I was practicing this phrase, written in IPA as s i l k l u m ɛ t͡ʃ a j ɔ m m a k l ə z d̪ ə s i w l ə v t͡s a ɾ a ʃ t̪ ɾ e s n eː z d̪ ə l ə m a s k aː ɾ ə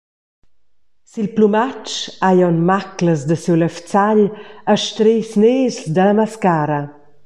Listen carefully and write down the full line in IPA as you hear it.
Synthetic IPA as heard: s i l p l u m a t͡ʃ a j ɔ n m a k l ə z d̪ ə s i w l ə f t͡s a ʎ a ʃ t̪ ɾ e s n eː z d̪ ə l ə m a s k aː ɾ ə